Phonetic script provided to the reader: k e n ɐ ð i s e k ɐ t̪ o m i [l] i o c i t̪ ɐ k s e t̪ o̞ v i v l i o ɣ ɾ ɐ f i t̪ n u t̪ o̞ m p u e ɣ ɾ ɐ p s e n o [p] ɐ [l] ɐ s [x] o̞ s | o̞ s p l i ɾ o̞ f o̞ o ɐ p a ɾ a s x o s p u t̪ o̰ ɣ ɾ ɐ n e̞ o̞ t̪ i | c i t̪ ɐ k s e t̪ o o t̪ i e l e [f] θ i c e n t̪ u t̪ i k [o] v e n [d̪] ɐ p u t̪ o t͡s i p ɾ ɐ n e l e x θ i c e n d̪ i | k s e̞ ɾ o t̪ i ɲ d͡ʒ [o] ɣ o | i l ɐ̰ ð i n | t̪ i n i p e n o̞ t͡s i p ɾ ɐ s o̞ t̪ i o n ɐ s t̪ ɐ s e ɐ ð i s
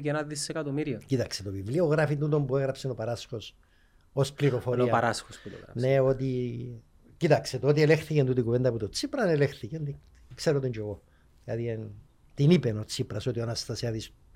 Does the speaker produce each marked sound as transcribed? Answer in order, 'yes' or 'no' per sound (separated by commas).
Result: no, yes, no, yes, no, no, yes, yes